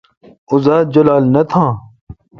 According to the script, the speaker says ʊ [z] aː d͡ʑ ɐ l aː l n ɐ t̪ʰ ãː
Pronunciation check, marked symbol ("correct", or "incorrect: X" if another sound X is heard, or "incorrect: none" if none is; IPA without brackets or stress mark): correct